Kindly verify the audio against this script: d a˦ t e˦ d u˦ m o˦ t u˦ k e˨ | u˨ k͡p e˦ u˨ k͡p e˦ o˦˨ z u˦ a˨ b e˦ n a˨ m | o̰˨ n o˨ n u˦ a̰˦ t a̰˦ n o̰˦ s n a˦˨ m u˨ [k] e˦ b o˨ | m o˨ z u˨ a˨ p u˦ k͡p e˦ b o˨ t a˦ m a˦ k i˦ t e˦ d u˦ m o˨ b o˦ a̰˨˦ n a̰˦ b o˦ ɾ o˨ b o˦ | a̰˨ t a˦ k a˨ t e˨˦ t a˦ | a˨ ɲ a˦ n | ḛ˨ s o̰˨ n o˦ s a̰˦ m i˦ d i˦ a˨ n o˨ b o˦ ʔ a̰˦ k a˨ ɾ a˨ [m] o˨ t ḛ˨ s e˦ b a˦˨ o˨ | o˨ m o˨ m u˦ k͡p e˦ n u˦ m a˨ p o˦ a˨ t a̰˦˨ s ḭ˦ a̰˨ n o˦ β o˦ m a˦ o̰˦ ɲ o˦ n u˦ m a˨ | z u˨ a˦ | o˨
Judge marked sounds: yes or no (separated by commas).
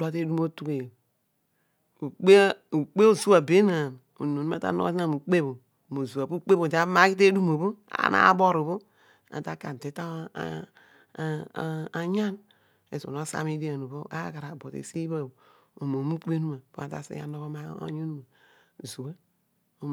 no, no